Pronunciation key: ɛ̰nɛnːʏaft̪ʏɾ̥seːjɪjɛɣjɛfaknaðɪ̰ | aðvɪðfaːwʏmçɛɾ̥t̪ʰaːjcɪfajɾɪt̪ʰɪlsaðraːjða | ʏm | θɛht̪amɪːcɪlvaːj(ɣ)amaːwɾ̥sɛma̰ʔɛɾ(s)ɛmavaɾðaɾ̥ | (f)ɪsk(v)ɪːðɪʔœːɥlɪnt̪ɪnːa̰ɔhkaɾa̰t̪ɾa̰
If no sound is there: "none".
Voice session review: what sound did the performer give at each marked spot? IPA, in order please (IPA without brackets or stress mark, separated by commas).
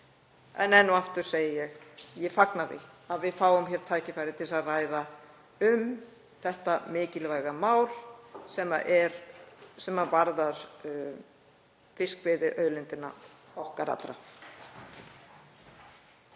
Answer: ɣ, s, f, v